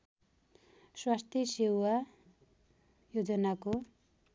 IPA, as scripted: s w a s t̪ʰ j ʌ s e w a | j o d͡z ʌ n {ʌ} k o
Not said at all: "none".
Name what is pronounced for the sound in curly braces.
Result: a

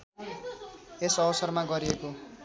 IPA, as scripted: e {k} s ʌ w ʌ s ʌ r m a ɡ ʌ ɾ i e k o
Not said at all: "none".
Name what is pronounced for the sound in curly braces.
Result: none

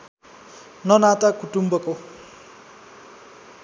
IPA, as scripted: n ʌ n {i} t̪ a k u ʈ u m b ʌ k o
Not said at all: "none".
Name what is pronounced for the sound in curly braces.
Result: a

